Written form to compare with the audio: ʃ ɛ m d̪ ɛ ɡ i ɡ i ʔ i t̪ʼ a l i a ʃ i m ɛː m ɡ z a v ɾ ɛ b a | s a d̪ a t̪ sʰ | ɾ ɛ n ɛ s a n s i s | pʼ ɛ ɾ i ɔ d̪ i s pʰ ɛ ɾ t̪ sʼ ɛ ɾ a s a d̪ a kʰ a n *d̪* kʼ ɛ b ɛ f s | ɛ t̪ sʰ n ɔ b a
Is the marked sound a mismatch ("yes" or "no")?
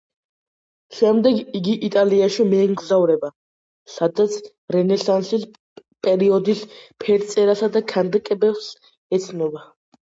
no